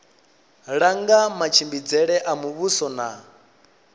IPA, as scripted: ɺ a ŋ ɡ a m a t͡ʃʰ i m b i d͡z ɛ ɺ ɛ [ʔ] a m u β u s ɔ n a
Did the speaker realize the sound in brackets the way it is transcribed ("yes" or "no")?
yes